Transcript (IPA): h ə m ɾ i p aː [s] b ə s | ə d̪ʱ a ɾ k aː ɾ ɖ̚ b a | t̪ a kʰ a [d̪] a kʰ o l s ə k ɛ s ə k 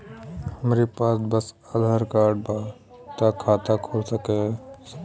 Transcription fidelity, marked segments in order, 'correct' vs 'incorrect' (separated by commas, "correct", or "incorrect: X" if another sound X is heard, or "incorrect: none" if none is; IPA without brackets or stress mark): correct, incorrect: t̪